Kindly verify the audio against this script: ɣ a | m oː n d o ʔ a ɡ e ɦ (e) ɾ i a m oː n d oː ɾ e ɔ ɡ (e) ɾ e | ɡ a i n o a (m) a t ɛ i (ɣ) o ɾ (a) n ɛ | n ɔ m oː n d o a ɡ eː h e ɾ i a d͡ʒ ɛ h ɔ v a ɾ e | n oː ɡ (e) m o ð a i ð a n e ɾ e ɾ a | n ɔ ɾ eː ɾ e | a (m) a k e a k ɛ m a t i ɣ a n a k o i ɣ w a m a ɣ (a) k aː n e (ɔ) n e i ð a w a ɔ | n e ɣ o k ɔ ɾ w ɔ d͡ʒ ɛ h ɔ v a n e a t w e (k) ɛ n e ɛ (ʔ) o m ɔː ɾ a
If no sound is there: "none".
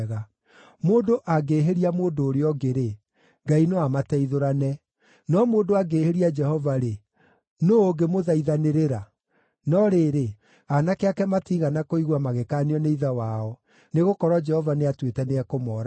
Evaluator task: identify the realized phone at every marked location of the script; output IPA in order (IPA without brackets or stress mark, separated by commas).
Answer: e, e, m, ð, a, e, n, e, ɔ, t, k